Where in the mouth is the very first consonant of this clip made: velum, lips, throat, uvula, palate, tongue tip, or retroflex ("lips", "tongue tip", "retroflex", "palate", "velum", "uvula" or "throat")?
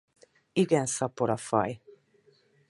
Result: velum